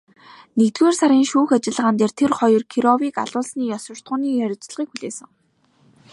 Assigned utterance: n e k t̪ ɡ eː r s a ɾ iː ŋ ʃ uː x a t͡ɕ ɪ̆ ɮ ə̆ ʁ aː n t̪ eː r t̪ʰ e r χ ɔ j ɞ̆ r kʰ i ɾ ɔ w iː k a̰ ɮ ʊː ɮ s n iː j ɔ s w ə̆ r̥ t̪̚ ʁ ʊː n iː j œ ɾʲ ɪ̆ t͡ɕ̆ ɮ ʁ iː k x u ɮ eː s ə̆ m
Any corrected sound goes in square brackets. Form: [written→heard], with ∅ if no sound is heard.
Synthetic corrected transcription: n e k t̪ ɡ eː r s a ɾ iː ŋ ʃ uː x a t͡ɕ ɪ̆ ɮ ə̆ ʁ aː n t̪ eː r t̪ʰ e r χ ɔ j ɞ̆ r kʰ i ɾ ɔ w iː k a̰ ɮ ʊː ɮ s n iː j ɔ s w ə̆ r̥ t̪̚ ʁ ʊː n iː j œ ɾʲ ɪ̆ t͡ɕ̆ ɮ ʁ iː k x u ɮ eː s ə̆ [m→ŋ]

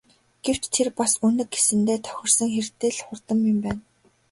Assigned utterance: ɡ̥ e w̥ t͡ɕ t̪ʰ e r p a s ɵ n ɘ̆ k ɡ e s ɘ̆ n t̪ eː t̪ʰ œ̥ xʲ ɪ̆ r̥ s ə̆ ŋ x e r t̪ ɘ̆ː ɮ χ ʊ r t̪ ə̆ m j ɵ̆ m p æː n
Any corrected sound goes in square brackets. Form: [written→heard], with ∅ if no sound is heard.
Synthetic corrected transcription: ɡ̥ e w̥ t͡ɕ t̪ʰ e r p a s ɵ n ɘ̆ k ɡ e s ɘ̆ n t̪ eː t̪ʰ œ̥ xʲ ɪ̆ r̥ s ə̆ ŋ x e r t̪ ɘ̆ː ɮ χ ʊ r t̪ ə̆ m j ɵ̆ m p æː n

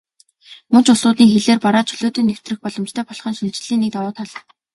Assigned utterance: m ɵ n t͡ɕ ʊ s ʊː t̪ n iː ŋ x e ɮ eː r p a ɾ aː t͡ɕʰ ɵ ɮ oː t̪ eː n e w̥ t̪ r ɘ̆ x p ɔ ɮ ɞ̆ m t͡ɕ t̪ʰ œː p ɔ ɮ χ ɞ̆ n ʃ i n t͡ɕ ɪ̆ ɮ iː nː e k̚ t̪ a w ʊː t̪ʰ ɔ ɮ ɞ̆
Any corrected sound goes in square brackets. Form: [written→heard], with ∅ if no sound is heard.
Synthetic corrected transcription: m ɵ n t͡ɕ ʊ s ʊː t̪ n iː ŋ x e ɮ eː r p a ɾ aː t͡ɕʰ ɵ ɮ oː t̪ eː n e w̥ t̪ r ɘ̆ x p ɔ ɮ ɞ̆ m t͡ɕ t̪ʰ œː p ɔ ɮ χ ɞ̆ n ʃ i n t͡ɕ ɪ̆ ɮ iː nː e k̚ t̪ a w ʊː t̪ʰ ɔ ɮ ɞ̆

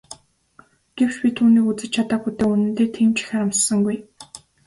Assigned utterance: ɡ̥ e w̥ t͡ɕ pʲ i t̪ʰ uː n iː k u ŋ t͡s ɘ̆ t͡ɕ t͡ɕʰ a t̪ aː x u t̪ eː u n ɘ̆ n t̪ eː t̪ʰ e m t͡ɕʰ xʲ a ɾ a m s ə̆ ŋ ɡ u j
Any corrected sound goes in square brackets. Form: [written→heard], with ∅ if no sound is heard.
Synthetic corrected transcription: ɡ̥ e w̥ t͡ɕ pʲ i t̪ʰ uː n iː k u [ŋ→∅] t͡s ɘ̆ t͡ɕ t͡ɕʰ a t̪ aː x u t̪ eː u n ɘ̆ n t̪ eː t̪ʰ e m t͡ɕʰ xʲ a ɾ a m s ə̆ ŋ ɡ u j

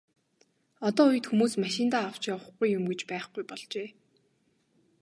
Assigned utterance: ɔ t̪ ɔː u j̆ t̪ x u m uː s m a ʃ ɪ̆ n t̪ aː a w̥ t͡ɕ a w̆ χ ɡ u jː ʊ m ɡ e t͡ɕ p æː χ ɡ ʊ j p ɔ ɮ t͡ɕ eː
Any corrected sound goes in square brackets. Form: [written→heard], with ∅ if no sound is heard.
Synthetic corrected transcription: ɔ t̪ ɔː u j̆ t̪ x u m uː s m a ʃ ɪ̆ n t̪ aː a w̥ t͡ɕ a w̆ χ ɡ u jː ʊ m ɡ e t͡ɕ p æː χ ɡ [ʊ→u] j p ɔ ɮ t͡ɕ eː

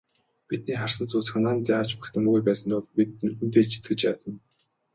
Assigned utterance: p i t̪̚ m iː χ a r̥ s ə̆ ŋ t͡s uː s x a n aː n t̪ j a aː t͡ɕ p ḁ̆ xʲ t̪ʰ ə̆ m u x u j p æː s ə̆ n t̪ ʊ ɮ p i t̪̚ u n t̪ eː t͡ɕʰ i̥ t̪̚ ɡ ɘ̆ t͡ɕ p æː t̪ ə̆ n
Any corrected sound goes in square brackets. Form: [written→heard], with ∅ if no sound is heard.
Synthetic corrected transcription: p i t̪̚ [m→n] iː χ a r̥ s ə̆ [ŋ→n] t͡s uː s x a n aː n t̪ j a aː t͡ɕ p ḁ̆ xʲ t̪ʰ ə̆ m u [x→ɣ] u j p æː s ə̆ n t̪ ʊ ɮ p i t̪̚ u n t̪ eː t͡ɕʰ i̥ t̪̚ ɡ ɘ̆ t͡ɕ p æː t̪ ə̆ n

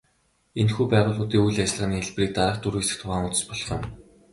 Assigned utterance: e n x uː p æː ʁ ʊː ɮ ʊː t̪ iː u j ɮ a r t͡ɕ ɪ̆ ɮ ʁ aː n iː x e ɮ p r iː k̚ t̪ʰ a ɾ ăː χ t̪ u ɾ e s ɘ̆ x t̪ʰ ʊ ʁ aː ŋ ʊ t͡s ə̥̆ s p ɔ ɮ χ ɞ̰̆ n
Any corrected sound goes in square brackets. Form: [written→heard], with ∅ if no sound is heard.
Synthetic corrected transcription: e n x uː p æː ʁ ʊː ɮ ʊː t̪ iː u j ɮ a [r→∅] t͡ɕ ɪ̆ ɮ ʁ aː n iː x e ɮ p r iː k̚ [t̪ʰ→t̪] a ɾ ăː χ t̪ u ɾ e s ɘ̆ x t̪ʰ ʊ ʁ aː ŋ ʊ t͡s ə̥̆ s p ɔ ɮ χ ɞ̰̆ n

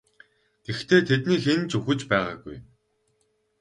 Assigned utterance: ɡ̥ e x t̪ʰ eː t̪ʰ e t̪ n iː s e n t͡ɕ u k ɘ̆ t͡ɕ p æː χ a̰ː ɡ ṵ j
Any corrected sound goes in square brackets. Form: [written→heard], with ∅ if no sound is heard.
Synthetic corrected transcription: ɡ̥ e x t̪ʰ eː t̪ʰ e t̪ n iː [s→x] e n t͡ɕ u [k→x] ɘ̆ t͡ɕ p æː [χ→ʁ] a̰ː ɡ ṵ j

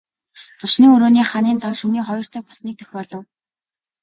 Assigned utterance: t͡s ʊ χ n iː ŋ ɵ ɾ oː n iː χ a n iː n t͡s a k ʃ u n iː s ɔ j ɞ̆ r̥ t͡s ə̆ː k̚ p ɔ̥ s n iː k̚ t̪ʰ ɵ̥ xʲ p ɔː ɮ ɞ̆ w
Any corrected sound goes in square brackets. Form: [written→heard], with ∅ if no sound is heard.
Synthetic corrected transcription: t͡s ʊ [χ→ʃ] n iː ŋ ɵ ɾ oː n iː χ a n iː n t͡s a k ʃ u n iː [s→χ] ɔ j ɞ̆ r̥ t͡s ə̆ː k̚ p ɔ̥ s n iː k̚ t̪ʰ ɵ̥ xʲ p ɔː ɮ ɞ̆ w

